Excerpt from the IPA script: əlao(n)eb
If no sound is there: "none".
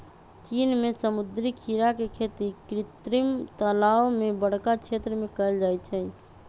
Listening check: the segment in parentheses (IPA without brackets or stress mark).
m